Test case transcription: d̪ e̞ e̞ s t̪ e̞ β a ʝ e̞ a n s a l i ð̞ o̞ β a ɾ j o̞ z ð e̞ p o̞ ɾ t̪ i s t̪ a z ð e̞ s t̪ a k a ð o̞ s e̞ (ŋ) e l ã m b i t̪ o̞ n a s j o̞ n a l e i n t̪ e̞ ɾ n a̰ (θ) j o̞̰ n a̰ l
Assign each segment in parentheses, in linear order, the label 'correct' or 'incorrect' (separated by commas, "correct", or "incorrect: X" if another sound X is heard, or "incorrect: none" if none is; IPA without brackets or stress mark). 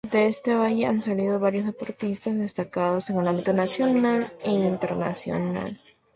correct, incorrect: s